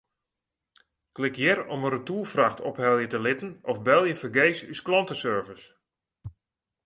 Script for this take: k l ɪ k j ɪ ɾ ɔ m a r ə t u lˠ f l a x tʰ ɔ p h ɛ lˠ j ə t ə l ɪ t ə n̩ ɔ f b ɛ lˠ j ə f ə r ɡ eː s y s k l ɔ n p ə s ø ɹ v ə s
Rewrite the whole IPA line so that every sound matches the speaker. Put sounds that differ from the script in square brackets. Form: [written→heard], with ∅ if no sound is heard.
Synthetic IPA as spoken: k l ɪ k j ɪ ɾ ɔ m [a→ə] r ə t u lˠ f [l→r] a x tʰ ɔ p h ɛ lˠ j ə t ə l ɪ t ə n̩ ɔ f b ɛ lˠ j ə f ə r ɡ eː s y s k l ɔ n [p→t] ə s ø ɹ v ə s